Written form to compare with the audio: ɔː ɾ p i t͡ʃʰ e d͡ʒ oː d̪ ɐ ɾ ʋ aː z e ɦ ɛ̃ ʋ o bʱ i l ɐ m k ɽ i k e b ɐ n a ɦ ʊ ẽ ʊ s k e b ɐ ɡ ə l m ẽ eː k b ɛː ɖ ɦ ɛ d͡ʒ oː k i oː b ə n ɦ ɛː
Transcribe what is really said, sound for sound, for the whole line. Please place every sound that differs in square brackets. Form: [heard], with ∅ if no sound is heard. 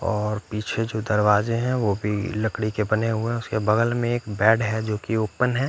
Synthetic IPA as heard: ɔː ɾ p [iː] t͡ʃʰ e d͡ʒ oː d̪ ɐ ɾ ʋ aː z e ɦ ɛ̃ ʋ o bʱ i l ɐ [∅] k ɽ i k e b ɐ n [e] ɦ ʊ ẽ ʊ s k e b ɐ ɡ ə l m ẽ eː k b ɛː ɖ ɦ ɛ d͡ʒ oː k i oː [p] ə n ɦ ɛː